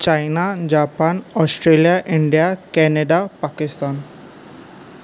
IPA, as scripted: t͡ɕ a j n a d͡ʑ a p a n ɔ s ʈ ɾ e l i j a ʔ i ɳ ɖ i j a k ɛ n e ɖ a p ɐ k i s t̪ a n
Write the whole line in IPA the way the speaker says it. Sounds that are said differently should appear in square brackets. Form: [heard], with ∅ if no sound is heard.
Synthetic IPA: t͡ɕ a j n a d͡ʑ a p a n ɔ s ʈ ɾ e l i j a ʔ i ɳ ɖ i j a k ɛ n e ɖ a p [a] k i s t̪ a n